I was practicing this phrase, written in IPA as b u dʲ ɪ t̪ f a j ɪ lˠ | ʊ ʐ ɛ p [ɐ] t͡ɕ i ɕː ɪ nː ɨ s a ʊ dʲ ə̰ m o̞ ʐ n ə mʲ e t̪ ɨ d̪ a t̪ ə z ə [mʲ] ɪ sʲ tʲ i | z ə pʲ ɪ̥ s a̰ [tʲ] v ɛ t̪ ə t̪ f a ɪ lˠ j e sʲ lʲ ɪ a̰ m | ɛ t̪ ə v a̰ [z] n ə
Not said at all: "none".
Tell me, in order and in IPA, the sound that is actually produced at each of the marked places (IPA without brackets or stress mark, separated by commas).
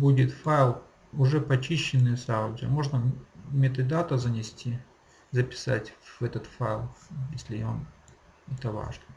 ɐ, nʲ, tʲ, ʐ